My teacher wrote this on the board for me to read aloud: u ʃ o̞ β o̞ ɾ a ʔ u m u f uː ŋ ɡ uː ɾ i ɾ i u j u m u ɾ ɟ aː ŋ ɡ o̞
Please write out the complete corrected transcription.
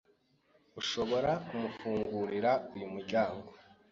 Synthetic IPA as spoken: u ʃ o̞ β o̞ ɾ a k u m u f uː ŋ ɡ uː ɾ i ɾ a u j u m u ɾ ɟ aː ŋ ɡ o̞